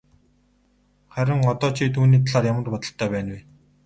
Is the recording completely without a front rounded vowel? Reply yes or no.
no